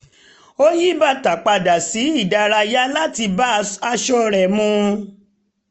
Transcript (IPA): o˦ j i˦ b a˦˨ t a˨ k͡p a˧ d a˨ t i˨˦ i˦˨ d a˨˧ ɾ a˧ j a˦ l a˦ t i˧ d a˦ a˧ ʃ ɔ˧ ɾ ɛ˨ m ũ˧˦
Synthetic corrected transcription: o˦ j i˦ b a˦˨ t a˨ k͡p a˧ d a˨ s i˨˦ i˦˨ d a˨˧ ɾ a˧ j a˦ l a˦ t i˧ b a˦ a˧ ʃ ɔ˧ ɾ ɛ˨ m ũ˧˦

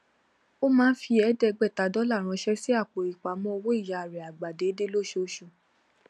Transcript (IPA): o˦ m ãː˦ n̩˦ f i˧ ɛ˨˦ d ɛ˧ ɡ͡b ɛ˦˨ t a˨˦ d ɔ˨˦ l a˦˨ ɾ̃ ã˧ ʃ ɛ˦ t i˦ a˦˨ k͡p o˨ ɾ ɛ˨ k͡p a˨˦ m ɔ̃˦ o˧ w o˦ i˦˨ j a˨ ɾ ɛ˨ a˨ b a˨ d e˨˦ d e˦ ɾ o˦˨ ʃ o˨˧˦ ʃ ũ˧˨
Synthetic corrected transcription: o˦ m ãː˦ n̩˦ f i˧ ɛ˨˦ d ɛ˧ ɡ͡b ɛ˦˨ t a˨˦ d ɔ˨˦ l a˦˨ ɾ̃ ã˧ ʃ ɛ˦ s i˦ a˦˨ k͡p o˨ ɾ i˨ k͡p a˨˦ m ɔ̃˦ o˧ w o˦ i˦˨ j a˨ ɾ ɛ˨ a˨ ɡ͡b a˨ d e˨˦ d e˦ l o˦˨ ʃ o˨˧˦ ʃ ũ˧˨

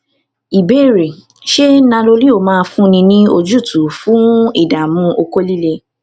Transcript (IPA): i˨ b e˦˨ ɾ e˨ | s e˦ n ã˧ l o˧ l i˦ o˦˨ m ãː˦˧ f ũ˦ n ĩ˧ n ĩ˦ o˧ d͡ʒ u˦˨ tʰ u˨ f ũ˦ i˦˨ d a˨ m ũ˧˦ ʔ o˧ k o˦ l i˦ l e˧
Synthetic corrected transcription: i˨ b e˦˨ ɾ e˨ | ʃ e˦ n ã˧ l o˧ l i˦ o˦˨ m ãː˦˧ f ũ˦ n ĩ˧ n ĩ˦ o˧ d͡ʒ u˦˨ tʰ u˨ f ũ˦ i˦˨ d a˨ m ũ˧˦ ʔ o˧ k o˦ l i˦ l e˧

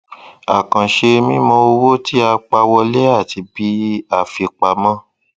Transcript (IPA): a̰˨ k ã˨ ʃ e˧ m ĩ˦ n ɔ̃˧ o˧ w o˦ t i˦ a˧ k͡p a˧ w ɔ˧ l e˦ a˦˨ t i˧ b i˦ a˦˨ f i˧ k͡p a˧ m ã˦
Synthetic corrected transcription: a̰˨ k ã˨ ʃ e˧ m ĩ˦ m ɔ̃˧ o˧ w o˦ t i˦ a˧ k͡p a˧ w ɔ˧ l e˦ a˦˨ t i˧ b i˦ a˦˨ f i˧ k͡p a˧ m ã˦

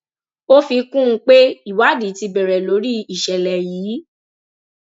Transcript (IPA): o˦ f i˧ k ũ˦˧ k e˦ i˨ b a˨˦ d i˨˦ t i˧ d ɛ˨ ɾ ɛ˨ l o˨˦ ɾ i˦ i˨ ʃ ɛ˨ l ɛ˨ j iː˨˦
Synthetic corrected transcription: o˦ f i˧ k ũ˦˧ k͡p e˦ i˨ w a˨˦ d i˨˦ t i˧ b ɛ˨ ɾ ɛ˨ l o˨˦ ɾ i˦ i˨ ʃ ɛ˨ l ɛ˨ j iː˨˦

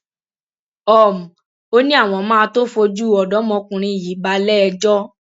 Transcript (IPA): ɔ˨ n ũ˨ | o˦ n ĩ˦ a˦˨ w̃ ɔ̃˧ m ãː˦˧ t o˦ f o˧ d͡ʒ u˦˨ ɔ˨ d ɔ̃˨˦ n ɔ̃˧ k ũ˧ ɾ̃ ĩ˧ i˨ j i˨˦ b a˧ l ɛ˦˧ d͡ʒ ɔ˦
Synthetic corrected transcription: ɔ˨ m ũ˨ | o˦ n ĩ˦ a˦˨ w̃ ɔ̃˧ m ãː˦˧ t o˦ f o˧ d͡ʒ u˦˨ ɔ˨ d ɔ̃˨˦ m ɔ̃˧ k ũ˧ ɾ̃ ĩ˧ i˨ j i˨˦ b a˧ l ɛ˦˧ d͡ʒ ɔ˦

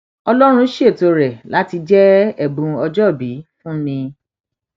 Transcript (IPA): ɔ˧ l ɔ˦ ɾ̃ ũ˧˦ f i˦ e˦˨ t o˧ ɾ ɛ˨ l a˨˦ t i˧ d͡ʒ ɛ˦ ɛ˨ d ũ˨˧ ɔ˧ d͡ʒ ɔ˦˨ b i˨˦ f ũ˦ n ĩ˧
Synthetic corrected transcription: ɔ˧ l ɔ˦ ɾ̃ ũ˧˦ ʃ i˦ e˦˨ t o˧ ɾ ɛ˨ l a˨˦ t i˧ d͡ʒ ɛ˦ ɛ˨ b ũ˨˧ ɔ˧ d͡ʒ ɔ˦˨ b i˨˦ f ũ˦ n ĩ˧

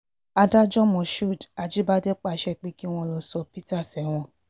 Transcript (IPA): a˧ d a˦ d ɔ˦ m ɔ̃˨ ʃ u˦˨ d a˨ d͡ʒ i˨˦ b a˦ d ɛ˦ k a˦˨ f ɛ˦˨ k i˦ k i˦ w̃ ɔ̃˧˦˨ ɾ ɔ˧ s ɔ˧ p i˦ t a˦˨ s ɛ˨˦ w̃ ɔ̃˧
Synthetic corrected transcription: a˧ d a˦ d͡ʒ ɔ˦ m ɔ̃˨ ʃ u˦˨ d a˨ d͡ʒ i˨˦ b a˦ d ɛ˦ k͡p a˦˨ ʃ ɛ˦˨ k͡p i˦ k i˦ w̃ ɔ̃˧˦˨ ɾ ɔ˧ s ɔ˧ p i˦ t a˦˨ s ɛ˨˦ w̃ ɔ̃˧

